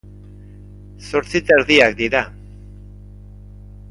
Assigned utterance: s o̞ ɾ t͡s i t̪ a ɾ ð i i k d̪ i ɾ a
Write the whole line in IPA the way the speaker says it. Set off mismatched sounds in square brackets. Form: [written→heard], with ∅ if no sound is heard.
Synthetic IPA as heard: s o̞ ɾ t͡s i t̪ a ɾ ð i [i→a] k d̪ i ɾ a